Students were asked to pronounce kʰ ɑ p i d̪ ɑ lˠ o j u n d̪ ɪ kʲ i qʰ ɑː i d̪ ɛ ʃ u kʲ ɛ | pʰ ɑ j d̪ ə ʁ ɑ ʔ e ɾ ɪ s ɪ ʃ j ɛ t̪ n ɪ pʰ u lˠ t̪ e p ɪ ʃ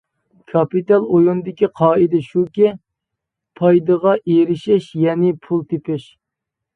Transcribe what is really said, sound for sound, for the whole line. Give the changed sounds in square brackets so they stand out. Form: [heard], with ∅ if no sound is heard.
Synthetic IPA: kʰ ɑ p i [t̪] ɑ lˠ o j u n d̪ ɪ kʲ i qʰ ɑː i d̪ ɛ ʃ u kʲ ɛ | pʰ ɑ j d̪ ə ʁ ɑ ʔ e ɾ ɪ [ʃ] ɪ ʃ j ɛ [∅] n ɪ pʰ u lˠ t̪ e p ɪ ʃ